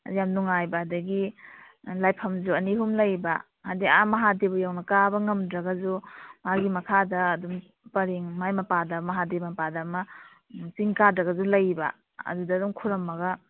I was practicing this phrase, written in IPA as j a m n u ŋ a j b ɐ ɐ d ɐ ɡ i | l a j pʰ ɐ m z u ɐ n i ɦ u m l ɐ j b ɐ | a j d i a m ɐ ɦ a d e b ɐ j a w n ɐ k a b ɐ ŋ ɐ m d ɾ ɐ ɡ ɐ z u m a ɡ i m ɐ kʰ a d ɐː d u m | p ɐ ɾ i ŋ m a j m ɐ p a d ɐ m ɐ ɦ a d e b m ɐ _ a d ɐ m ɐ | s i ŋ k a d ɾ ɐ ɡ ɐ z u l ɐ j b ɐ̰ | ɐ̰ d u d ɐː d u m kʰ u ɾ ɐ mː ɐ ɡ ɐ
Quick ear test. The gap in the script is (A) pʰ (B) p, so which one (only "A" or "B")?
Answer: B